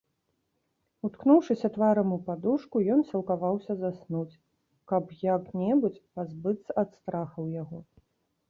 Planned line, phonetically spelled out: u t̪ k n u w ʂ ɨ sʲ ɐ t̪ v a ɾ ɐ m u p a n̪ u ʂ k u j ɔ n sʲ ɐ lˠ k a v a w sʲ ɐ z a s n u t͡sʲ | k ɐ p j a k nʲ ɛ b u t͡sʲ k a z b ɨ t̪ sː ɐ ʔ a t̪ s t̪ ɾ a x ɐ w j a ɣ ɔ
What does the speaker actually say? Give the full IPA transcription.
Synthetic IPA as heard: u t̪ k n u w ʂ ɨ sʲ ɐ t̪ v a ɾ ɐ m u p a d̪ u ʂ k u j ɔ n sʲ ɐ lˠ k a v a w sʲ ɐ z a s n u t͡sʲ | k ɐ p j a k nʲ ɛ b u t͡sʲ p a z b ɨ t̪ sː ɐ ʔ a t̪ s t̪ ɾ a x ɐ w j a ɣ ɔ